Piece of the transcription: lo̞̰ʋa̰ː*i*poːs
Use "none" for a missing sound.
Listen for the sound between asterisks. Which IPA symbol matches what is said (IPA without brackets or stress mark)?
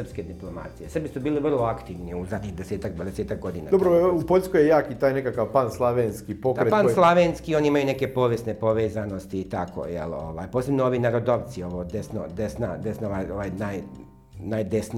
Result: j